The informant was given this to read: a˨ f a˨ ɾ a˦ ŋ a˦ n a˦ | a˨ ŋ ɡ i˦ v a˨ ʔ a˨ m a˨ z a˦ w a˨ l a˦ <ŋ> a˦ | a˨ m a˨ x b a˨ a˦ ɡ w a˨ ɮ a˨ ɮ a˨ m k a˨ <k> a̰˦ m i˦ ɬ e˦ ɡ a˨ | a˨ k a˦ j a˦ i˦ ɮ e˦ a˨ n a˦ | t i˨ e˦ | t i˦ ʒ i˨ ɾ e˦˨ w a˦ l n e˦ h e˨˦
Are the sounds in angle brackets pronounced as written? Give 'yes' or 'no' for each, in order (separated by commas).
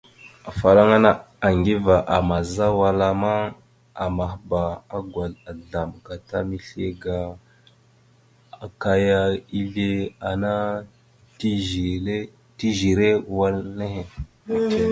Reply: no, no